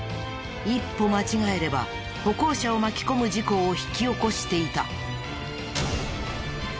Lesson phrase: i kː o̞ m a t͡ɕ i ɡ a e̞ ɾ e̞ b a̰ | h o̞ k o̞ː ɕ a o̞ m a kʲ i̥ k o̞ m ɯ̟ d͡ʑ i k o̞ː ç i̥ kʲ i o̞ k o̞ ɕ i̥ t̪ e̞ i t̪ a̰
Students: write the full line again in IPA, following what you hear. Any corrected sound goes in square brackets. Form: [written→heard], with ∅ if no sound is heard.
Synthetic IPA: i [kː→pː] o̞ m a t͡ɕ i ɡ a e̞ ɾ e̞ b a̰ | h o̞ k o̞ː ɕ a o̞ m a kʲ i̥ k o̞ m ɯ̟ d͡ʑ i k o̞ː ç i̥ kʲ i o̞ k o̞ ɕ i̥ t̪ e̞ i t̪ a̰